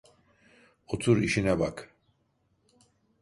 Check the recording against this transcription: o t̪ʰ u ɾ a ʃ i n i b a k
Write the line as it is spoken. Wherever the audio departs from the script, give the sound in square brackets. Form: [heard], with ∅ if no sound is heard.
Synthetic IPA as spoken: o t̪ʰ u ɾ [i] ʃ i n [ɛ] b a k